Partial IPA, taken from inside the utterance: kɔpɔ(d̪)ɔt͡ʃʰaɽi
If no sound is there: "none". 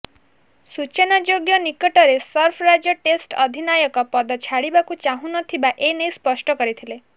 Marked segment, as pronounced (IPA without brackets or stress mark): d̪